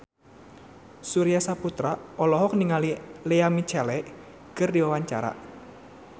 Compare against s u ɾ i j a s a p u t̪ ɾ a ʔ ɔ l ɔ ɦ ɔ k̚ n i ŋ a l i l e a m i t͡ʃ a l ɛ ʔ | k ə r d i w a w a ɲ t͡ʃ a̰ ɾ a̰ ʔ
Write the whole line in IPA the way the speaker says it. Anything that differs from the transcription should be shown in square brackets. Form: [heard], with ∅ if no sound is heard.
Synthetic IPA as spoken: s u ɾ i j a s a p u t̪ ɾ a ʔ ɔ l ɔ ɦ ɔ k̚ n i ŋ a l i l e a m i t͡ʃ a l ɛ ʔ | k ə r d i w a w a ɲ t͡ʃ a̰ ɾ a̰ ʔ

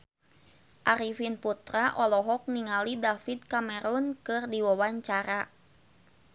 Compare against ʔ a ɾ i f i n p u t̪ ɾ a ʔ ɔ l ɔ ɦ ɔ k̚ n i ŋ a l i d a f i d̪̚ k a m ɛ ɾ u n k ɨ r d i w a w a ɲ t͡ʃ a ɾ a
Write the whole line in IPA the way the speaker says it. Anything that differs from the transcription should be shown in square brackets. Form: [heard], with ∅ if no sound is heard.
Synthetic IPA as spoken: ʔ a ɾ i f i n p u t̪ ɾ a ʔ ɔ l ɔ ɦ ɔ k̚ n i ŋ a l i d a f i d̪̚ k a m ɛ ɾ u n k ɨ r d i w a w a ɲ t͡ʃ a ɾ a

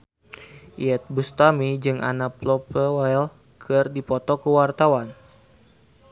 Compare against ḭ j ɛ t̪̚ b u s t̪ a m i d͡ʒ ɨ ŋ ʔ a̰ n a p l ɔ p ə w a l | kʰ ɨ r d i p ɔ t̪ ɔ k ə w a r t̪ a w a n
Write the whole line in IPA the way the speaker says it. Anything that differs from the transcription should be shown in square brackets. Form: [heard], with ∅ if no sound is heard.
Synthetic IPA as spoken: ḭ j ɛ t̪̚ b u s t̪ a m i d͡ʒ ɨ ŋ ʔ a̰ n a p l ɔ p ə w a l | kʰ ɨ r d i p ɔ t̪ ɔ k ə w a r t̪ a w a n

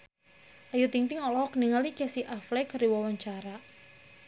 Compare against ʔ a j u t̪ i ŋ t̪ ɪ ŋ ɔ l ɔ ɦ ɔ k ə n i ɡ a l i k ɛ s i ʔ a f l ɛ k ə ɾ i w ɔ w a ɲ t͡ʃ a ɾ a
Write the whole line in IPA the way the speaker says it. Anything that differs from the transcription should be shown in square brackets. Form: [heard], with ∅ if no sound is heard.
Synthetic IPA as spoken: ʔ a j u t̪ i ŋ t̪ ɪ ŋ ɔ l ɔ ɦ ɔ k ə n i [ŋ] a l i k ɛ s i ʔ a f l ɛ k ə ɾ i w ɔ w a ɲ t͡ʃ a ɾ a

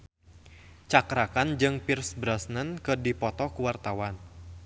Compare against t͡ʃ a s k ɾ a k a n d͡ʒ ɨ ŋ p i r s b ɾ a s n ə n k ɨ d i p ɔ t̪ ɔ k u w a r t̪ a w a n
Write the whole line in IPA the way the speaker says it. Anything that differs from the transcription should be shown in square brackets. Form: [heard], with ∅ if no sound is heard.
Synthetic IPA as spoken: t͡ʃ a [∅] k ɾ a k a n d͡ʒ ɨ ŋ p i r s b ɾ a s n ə n k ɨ d i p ɔ t̪ ɔ k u w a r t̪ a w a n

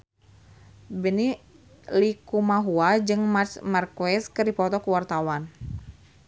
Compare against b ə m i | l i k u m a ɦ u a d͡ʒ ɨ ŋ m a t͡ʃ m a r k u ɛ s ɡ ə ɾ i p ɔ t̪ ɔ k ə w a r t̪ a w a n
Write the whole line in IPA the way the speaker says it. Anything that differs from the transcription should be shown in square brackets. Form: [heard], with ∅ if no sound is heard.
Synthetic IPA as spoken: b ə [n] i | l i k u m a ɦ u a d͡ʒ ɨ ŋ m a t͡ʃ m a r k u ɛ s [k] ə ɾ i p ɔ t̪ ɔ k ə w a r t̪ a w a n

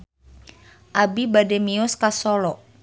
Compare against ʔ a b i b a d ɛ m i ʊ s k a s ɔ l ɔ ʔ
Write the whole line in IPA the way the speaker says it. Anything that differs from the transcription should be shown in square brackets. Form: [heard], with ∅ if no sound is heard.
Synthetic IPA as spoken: ʔ a b i b a d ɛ m i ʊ s k a s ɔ l ɔ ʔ

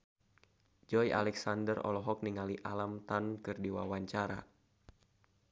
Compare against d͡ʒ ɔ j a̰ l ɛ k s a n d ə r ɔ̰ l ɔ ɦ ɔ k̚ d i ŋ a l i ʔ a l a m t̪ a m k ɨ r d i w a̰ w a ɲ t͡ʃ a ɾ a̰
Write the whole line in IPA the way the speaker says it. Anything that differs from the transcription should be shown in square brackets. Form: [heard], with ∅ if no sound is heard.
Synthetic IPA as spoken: d͡ʒ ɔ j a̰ l ɛ k s a n d ə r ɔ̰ l ɔ ɦ ɔ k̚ [n] i ŋ a l i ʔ a l a m t̪ a [n] k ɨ r d i w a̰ w a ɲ t͡ʃ a ɾ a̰

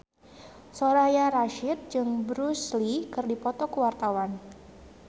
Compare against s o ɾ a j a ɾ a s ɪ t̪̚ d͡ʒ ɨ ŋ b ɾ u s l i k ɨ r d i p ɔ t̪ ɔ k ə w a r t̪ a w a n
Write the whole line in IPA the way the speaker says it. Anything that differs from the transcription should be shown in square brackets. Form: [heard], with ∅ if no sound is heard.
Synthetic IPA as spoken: s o ɾ a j a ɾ a [ʃ] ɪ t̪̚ d͡ʒ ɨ ŋ b ɾ u s l i k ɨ r d i p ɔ t̪ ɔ k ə w a r t̪ a w a n

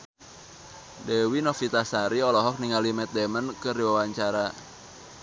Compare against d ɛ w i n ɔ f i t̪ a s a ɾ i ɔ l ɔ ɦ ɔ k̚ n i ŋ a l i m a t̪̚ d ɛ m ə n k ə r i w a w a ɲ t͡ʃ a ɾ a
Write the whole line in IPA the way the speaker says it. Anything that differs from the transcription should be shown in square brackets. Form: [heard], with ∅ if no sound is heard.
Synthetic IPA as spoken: d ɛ w i n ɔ f i t̪ a s a ɾ i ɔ l ɔ ɦ ɔ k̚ n i ŋ a l i m [ɛ] t̪̚ d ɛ m ə n k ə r i w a w a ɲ t͡ʃ a ɾ a

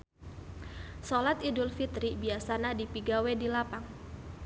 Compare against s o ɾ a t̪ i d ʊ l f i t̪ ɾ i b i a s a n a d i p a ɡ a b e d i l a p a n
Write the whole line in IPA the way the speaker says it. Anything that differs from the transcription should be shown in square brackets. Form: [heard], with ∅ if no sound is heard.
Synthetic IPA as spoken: s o [l] a t̪ i d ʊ l f i t̪ ɾ i b i a s a n a d i p [i] ɡ a [w] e d i l a p a [ŋ]

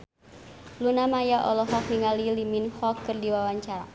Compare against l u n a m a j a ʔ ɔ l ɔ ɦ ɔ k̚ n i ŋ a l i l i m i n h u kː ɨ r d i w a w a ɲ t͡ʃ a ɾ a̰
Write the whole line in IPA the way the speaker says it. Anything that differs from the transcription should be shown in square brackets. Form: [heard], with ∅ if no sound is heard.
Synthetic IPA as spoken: l u n a m a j a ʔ ɔ l ɔ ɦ ɔ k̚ n i ŋ a l i l i m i n h [ɔ] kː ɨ r d i w a w a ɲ t͡ʃ a ɾ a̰

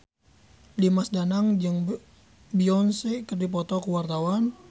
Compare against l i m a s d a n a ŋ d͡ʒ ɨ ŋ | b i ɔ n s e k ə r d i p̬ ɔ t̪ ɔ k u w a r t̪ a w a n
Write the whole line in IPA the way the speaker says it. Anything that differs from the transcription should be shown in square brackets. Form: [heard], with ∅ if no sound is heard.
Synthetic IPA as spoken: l i m a s d a n a ŋ d͡ʒ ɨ ŋ | b i ɔ n s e k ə r d i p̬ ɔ t̪ ɔ k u w a r t̪ a w a n

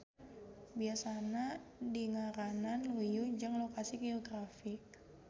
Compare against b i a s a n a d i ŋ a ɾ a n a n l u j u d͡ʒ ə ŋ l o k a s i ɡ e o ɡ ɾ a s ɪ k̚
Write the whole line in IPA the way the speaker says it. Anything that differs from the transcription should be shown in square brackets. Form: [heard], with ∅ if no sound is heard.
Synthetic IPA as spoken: b i a s a n a d i ŋ a ɾ a n a n l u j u d͡ʒ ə ŋ l o k a s i ɡ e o ɡ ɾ a [f] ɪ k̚

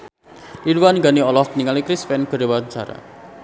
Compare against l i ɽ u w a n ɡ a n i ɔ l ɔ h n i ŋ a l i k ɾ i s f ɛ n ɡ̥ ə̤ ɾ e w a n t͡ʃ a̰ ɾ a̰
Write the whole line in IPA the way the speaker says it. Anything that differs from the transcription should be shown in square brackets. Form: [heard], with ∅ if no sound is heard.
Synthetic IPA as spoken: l i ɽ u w a n ɡ a n i ɔ l ɔ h n i ŋ a l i k ɾ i s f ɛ n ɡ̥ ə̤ ɾ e w a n t͡ʃ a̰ ɾ a̰

